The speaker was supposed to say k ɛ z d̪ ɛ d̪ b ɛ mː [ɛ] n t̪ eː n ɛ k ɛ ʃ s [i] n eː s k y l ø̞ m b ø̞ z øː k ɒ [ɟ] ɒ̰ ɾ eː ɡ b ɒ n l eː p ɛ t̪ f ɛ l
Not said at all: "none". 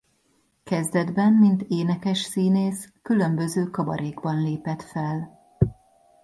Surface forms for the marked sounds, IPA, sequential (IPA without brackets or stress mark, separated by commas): i, iː, b